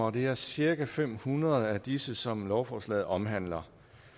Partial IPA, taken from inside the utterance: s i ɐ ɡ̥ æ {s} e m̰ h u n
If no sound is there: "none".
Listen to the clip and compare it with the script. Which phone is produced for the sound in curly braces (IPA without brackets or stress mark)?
f